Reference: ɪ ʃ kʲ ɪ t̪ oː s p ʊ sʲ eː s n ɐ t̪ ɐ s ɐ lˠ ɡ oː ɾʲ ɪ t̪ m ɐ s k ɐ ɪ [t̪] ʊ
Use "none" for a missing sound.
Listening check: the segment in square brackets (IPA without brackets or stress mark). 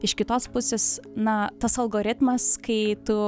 t̪